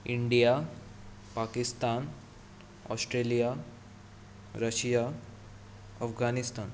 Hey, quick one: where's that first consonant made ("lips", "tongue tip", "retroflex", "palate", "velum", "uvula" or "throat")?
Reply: retroflex